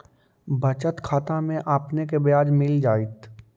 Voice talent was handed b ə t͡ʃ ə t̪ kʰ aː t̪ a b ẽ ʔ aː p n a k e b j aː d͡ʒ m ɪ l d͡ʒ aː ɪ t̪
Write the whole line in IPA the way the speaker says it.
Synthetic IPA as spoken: b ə t͡ʃ ə t̪ kʰ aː t̪ a m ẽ ʔ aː p n e k e b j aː d͡ʒ m ɪ l d͡ʒ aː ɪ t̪